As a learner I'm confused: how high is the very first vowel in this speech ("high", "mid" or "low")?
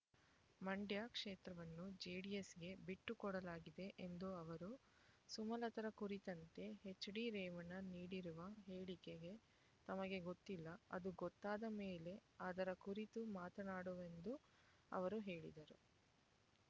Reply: low